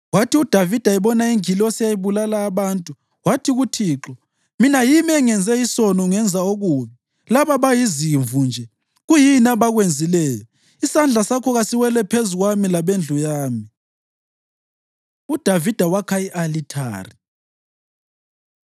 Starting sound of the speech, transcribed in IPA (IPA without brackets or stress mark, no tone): w